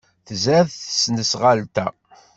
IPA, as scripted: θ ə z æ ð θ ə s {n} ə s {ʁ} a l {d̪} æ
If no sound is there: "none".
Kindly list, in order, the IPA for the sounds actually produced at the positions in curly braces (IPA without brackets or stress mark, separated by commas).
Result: n, ʁ, t̪